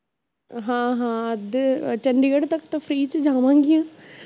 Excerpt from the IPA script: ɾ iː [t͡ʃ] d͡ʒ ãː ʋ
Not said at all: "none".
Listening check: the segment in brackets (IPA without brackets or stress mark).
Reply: t͡ʃ